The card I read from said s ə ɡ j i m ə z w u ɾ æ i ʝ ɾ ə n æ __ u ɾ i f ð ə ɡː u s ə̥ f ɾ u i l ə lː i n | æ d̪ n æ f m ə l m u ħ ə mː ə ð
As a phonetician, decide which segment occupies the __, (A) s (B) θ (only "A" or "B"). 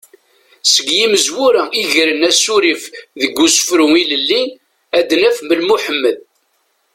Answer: A